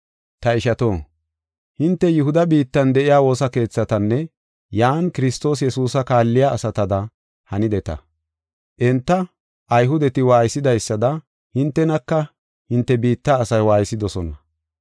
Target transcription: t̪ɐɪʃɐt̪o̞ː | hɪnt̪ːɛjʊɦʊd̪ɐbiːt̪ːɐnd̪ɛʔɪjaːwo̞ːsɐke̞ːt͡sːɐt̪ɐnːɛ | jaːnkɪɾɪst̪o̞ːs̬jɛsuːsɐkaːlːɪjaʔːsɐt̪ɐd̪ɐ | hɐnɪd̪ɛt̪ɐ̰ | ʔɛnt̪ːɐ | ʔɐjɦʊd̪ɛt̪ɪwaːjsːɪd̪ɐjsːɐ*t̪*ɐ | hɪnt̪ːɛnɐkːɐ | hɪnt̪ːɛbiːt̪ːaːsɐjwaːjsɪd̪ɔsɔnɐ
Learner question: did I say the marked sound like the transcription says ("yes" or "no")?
no